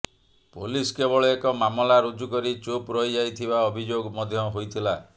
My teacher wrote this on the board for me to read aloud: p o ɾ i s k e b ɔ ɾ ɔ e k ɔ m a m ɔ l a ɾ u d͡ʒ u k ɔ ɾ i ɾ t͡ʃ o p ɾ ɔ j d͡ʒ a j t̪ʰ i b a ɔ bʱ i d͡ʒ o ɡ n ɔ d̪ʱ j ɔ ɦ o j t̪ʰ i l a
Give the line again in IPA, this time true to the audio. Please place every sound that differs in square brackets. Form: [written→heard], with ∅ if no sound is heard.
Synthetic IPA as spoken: p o [ɾ→l] i s k e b ɔ [ɾ→ɭ] ɔ e k ɔ m a m ɔ l a ɾ u d͡ʒ u k ɔ ɾ i [ɾ→∅] t͡ʃ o p ɾ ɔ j d͡ʒ a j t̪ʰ i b a ɔ bʱ i d͡ʒ o ɡ [n→m] ɔ d̪ʱ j ɔ ɦ o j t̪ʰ i l a